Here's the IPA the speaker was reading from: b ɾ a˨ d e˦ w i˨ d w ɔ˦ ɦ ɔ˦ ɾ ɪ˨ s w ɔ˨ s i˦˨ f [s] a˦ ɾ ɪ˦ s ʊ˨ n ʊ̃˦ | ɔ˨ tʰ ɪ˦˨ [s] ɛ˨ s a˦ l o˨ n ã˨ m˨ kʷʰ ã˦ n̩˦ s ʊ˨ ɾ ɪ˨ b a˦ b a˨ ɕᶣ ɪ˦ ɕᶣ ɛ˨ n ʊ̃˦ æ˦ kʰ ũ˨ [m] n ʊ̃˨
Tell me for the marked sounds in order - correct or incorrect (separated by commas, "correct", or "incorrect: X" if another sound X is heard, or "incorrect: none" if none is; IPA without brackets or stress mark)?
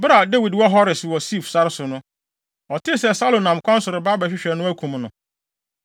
correct, correct, correct